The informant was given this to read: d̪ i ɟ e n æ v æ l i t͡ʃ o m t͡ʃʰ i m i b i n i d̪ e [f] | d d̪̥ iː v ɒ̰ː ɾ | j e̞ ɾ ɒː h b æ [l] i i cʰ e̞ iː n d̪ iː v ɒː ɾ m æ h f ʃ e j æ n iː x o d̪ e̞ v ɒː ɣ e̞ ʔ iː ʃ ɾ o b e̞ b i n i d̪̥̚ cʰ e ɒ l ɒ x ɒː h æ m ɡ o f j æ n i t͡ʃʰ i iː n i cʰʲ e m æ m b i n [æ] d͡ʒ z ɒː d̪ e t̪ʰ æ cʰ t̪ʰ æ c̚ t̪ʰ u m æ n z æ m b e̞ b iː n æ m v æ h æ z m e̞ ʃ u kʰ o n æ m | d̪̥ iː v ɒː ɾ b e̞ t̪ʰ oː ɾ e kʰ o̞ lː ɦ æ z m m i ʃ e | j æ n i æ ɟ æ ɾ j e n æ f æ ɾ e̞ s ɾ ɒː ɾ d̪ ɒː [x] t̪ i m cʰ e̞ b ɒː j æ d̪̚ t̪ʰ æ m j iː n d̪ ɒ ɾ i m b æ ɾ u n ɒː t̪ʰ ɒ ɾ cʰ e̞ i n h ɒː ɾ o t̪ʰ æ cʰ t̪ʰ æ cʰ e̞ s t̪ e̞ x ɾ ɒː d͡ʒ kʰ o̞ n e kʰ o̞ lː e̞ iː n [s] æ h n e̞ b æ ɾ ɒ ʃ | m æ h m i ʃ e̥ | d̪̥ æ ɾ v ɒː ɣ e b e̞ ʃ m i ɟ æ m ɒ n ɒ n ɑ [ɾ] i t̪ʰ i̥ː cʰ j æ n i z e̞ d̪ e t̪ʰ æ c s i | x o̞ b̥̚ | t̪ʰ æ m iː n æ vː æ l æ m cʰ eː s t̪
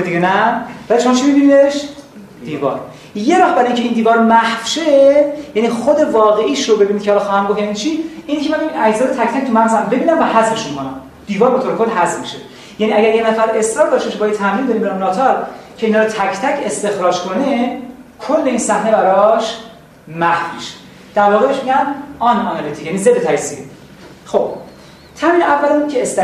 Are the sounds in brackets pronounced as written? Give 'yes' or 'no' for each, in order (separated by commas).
no, no, yes, no, yes, no